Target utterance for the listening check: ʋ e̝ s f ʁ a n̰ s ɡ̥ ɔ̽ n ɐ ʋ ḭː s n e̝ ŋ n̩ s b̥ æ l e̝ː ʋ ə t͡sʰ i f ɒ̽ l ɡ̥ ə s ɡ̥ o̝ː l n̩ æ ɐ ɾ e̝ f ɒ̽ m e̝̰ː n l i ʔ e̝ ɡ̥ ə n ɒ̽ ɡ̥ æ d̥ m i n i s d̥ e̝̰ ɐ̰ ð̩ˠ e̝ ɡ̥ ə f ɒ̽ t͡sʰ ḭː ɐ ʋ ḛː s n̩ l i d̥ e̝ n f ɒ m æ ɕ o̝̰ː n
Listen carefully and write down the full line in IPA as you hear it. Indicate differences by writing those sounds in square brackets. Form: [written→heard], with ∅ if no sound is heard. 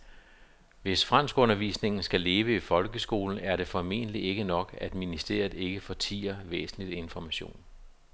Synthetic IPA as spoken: ʋ e̝ s f ʁ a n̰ s ɡ̥ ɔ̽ n ɐ ʋ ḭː s n e̝ ŋ n̩ s [b̥→ɡ̥] æ l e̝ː ʋ ə [t͡sʰ→∅] i f ɒ̽ l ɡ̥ ə s ɡ̥ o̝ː l n̩ æ ɐ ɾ e̝ f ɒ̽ m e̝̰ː n l i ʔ e̝ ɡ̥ ə n ɒ̽ ɡ̥ æ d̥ m i n i s d̥ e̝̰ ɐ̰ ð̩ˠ e̝ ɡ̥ ə f ɒ̽ t͡sʰ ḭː ɐ ʋ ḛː s n̩ l i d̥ e̝ n f ɒ m æ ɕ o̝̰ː n